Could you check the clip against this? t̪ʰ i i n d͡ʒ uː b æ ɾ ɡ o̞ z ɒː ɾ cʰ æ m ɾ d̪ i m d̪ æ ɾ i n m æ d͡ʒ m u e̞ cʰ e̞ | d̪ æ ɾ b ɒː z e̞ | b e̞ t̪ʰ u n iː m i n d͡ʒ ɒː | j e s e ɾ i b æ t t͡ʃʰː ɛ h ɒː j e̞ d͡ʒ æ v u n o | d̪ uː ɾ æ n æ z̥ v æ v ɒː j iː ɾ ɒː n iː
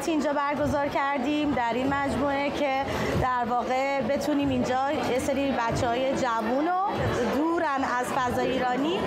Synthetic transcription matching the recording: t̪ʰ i i n d͡ʒ ɒː b æ ɾ ɡ o̞ z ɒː ɾ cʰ æ ɾ d̪ i m d̪ æ ɾ i n m æ d͡ʒ m u e̞ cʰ e̞ | d̪ æ ɾ v ɒː ɣ e̞ | b e̞ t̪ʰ u n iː m i n d͡ʒ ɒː | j e s e ɾ i b æ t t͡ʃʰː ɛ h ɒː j e̞ d͡ʒ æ v u n o | d̪ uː ɾ æ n æ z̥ f æ z ɒː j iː ɾ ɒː n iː